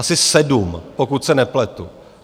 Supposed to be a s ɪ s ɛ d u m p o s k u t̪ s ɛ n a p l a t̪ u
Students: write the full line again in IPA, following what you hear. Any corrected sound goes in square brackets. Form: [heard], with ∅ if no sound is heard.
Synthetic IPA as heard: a s ɪ s ɛ d u m p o [∅] k u t̪ s ɛ n [ɛ] p l [ɛ] t̪ u